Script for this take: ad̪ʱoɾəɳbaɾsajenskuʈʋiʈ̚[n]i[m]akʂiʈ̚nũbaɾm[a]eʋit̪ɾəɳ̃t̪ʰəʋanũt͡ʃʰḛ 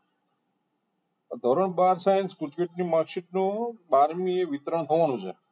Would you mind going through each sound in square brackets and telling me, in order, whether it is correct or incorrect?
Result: correct, correct, incorrect: i

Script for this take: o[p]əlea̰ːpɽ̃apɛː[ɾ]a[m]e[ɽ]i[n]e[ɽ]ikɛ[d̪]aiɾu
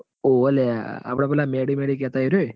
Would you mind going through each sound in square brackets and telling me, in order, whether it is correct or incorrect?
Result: incorrect: none, incorrect: l, correct, correct, incorrect: m, correct, incorrect: t̪

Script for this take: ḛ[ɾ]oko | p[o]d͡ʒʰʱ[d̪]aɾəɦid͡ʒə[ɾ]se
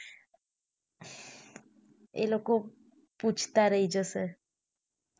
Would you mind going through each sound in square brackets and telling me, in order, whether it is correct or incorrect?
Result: incorrect: l, incorrect: u, incorrect: t̪, incorrect: none

